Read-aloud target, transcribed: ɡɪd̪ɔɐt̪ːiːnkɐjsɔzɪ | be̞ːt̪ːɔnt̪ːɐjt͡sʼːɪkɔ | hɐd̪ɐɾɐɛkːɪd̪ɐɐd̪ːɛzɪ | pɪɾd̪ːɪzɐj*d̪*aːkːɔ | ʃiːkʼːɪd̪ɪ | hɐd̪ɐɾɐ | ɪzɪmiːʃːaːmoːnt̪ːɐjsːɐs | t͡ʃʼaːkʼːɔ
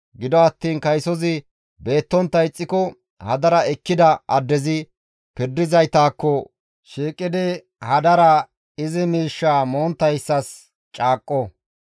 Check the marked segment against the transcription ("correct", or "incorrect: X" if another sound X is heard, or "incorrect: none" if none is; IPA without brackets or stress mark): incorrect: t̪